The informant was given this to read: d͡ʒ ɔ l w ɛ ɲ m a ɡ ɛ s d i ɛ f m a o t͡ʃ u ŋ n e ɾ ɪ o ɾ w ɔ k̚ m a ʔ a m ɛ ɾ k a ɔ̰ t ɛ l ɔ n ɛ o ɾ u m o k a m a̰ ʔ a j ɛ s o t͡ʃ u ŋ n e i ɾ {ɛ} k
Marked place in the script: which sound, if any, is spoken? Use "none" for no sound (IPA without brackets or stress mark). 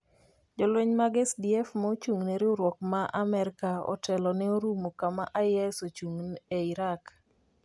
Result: a